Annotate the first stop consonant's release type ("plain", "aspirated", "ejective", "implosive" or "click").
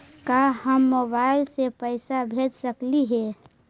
plain